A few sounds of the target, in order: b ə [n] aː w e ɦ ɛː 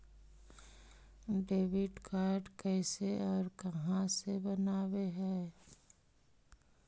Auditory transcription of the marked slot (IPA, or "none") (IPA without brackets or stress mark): n